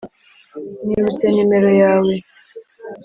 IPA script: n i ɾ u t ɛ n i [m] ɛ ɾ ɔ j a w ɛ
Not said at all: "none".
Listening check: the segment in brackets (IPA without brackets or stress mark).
m